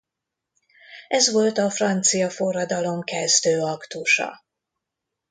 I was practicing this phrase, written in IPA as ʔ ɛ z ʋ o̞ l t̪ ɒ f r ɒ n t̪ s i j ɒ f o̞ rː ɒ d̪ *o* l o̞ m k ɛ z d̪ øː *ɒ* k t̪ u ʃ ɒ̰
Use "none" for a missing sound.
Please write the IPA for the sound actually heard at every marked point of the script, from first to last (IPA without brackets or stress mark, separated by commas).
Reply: ɒ, ɒ